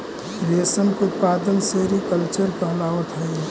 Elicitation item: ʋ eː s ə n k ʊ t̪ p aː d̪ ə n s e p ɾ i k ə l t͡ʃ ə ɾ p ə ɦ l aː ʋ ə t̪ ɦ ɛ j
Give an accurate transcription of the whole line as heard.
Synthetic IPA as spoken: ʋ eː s ə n k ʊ t̪ p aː d̪ ə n s e ɾ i k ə l t͡ʃ ə ɾ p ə ɦ l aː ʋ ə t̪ ɦ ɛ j